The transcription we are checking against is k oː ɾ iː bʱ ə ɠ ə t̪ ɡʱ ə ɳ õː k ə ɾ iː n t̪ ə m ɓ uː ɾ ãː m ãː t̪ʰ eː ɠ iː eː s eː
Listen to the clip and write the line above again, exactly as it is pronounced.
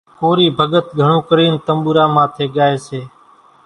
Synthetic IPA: k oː ɾ iː bʱ ə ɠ ə t̪ ɡʱ ə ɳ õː k ə ɾ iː n t̪ ə m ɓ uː ɾ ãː m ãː t̪ʰ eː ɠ aː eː s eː